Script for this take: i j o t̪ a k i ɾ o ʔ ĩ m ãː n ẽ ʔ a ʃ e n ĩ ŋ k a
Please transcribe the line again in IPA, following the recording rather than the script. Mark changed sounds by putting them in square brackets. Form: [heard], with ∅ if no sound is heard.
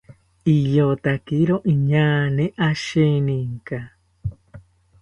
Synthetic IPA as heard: i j o t̪ a k i ɾ o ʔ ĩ [ɲ] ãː n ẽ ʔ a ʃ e n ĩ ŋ k a